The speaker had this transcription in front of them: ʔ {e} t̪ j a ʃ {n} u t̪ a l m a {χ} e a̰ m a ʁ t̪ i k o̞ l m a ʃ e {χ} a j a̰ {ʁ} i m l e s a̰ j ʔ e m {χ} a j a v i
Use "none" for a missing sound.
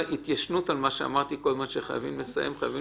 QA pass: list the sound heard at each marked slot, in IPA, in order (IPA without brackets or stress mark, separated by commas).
i, n, ʃ, χ, v, χ